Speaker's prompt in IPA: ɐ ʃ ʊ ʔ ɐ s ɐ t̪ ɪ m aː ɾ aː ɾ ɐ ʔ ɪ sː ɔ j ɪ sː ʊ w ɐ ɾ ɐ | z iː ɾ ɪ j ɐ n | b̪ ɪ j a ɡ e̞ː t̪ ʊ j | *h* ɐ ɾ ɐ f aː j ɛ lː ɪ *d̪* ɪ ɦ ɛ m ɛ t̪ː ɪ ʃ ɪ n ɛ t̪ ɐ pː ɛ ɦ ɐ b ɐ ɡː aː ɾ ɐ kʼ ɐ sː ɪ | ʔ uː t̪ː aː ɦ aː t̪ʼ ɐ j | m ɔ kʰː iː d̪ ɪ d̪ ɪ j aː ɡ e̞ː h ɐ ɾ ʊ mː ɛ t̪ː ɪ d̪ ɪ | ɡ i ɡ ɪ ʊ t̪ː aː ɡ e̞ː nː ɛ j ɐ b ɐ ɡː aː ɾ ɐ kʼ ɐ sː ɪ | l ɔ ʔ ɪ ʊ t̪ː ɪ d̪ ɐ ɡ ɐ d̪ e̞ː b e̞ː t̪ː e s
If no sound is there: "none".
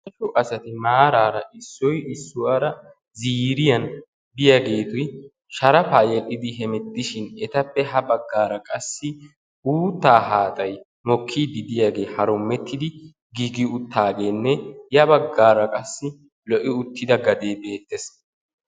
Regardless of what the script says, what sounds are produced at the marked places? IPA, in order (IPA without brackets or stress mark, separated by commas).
ʃ, d̪